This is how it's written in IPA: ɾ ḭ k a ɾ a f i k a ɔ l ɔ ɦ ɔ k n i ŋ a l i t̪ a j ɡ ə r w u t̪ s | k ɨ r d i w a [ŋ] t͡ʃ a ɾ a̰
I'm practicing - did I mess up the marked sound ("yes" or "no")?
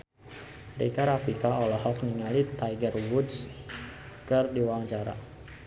no